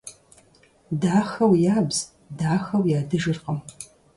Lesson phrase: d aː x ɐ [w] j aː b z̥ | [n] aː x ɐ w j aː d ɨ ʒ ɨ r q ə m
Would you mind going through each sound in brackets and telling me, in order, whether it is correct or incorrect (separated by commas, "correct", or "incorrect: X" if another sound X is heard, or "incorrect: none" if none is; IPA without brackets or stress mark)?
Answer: correct, incorrect: d